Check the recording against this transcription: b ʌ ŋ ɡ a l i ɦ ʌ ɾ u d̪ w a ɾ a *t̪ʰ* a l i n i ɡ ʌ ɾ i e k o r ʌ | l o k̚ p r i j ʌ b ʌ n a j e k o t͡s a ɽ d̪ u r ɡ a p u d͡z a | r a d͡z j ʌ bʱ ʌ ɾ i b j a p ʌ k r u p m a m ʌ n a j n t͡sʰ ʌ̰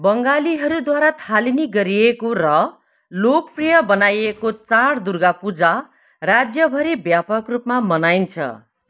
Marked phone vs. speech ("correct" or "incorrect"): correct